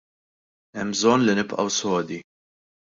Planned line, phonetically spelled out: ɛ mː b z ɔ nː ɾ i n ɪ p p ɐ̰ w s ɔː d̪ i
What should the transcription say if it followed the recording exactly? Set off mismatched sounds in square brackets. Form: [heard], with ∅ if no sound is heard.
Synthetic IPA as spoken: ɛ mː b z ɔ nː [l] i n ɪ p [ʔ] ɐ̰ w s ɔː d̪ i

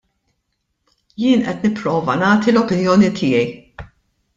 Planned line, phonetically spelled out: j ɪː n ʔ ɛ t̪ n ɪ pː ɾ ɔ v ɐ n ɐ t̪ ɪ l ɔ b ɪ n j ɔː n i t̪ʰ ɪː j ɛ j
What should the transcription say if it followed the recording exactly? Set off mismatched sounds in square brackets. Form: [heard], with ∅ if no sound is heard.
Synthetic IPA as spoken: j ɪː n ʔ ɛ t̪ n ɪ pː ɾ [ɔː] v ɐ n [ɐː] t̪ [i] l ɔ [p] ɪ n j ɔː n i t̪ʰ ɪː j ɛ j

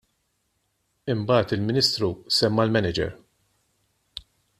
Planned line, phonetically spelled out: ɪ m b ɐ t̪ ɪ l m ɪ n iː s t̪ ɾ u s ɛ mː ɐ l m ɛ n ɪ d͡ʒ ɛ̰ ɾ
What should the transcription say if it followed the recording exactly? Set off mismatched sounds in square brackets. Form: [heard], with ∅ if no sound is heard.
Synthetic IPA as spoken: ɪ m b [ɐː] t̪ ɪ l m ɪ n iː s t̪ ɾ u s ɛ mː ɐ l m ɛ n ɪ d͡ʒ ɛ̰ ɾ

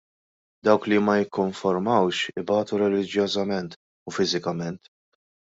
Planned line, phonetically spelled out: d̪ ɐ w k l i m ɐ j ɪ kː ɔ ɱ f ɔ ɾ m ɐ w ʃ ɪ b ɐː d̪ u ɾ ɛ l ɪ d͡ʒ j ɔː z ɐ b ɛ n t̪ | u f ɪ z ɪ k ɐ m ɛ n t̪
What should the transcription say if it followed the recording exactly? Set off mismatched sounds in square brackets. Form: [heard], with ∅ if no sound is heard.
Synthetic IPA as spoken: d̪ ɐ w k l i m ɐ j ɪ kː ɔ ɱ f ɔ ɾ m ɐ w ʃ ɪ b ɐː [t̪] u ɾ ɛ l ɪ d͡ʒ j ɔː z ɐ [m] ɛ n t̪ | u f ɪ z ɪ k ɐ m ɛ n t̪

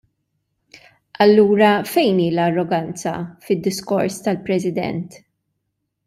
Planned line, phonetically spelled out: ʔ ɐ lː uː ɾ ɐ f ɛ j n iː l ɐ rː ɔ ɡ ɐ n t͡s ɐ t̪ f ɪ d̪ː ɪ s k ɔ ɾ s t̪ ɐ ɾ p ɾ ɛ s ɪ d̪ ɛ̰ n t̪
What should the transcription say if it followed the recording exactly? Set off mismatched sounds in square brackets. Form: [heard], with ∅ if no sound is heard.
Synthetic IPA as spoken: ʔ ɐ lː uː ɾ ɐ f ɛ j n iː l ɐ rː ɔ ɡ ɐ n t͡s ɐ [∅] f ɪ d̪ː ɪ s k ɔ ɾ s t̪ ɐ [l] p ɾ ɛ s ɪ d̪ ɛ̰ n t̪

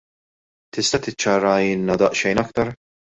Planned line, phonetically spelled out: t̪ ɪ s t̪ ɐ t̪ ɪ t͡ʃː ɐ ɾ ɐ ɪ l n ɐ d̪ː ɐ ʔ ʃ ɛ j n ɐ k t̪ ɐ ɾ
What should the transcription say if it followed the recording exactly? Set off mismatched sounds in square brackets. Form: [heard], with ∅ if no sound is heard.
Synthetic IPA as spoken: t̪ ɪ s t̪ ɐ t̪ ɪ t͡ʃː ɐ ɾ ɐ ɪ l n ɐ [d̪] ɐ ʔ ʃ ɛ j n ɐ k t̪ ɐ ɾ

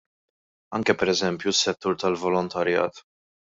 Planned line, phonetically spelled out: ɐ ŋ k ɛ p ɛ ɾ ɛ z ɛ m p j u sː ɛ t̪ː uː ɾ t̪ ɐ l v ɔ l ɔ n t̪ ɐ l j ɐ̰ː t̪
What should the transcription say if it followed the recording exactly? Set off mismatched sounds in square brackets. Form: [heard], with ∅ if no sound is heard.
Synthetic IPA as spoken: ɐ ŋ k ɛ p ɛ ɾ ɛ z ɛ m p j u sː ɛ t̪ː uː ɾ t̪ ɐ l v ɔ l ɔ n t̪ ɐ [ɾ] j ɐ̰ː t̪

